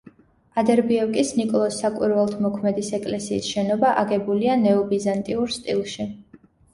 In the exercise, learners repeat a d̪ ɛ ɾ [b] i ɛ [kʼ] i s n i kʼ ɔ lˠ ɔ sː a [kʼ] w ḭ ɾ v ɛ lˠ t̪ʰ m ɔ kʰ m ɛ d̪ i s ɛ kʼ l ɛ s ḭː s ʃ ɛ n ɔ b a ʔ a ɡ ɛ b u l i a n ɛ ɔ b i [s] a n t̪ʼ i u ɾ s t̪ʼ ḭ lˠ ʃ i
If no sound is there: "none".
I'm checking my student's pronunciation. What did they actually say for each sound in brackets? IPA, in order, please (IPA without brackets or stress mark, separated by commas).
b, kʼ, kʼ, z